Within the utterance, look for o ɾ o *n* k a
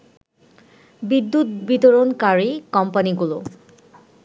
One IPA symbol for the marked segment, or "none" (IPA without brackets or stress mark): n